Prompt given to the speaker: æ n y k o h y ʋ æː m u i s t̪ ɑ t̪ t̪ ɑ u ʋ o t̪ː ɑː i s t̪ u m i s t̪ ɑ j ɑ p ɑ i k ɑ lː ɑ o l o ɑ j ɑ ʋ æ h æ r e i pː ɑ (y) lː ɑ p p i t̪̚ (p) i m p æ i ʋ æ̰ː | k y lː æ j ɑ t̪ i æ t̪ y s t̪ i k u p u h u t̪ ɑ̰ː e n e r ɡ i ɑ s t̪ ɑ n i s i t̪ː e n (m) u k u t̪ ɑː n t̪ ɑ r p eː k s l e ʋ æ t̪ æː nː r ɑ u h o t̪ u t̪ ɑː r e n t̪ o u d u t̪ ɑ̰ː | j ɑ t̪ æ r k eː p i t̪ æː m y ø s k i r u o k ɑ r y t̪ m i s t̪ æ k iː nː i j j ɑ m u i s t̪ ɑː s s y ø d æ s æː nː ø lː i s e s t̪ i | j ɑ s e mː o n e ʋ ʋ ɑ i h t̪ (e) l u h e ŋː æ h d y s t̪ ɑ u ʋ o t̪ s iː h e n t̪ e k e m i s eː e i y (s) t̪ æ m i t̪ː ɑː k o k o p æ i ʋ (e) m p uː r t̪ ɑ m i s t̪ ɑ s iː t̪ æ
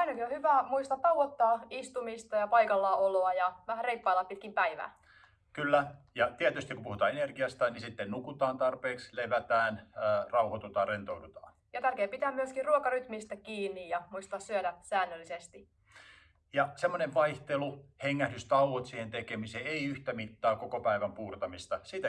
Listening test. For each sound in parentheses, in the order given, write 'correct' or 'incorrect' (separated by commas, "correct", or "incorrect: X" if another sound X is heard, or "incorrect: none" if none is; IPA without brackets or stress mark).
incorrect: i, incorrect: k, incorrect: n, correct, incorrect: h, incorrect: æ